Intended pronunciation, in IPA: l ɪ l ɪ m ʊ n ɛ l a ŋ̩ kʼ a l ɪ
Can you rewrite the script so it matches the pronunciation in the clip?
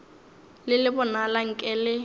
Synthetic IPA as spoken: l ɪ l ɪ b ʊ n a l a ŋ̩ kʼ ɛ l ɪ